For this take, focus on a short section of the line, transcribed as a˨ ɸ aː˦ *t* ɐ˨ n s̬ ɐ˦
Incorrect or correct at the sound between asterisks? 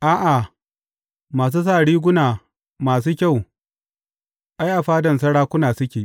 incorrect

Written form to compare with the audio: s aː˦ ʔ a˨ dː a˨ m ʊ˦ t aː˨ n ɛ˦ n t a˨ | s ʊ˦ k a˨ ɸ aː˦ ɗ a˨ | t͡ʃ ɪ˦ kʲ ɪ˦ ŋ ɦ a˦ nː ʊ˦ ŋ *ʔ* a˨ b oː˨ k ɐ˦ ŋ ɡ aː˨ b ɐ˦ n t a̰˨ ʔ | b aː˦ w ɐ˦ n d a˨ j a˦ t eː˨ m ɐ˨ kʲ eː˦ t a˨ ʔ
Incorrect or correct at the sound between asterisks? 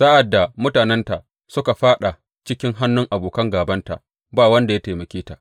correct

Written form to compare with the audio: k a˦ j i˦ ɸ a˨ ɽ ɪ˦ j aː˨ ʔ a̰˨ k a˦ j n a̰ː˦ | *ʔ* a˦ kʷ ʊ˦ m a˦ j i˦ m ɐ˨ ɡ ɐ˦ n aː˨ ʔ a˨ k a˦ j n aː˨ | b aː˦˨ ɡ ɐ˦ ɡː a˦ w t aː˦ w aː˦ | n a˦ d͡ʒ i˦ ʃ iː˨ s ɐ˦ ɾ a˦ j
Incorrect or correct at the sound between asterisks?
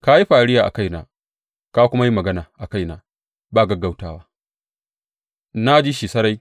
incorrect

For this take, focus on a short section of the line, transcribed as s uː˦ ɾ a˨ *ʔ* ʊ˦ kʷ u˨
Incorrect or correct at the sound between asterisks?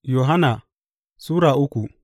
correct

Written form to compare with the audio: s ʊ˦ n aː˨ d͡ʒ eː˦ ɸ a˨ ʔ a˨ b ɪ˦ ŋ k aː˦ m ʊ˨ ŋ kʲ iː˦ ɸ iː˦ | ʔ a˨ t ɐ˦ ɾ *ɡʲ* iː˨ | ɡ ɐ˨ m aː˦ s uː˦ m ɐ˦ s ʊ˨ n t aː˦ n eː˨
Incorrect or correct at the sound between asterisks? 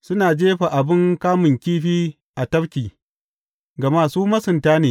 incorrect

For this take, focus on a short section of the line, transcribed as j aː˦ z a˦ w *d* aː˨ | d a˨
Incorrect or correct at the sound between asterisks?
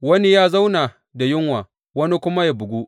incorrect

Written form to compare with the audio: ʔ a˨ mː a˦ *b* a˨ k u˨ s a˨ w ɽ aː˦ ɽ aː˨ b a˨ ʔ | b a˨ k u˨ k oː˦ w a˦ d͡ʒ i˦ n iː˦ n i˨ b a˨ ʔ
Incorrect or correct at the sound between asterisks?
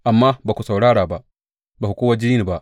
correct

